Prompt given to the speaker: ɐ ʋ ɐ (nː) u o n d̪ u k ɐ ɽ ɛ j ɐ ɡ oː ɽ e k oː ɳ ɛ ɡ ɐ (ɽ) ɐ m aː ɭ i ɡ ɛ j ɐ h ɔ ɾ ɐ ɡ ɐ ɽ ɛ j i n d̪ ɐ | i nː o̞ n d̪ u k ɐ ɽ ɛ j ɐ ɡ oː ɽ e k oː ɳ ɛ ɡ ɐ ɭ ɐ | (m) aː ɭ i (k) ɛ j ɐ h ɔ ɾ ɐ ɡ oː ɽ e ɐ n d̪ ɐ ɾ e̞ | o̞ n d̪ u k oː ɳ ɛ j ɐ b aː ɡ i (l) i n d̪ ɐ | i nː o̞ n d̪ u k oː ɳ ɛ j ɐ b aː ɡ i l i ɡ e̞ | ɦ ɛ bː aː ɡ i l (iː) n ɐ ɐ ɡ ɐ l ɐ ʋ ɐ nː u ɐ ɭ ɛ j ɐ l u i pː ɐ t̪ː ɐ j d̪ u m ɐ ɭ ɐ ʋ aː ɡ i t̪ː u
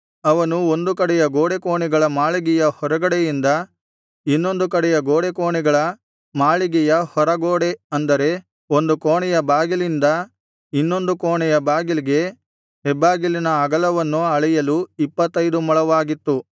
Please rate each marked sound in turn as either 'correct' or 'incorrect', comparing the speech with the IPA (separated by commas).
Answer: incorrect, incorrect, correct, incorrect, correct, incorrect